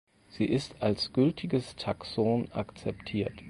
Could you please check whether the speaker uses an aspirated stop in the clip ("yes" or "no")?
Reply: yes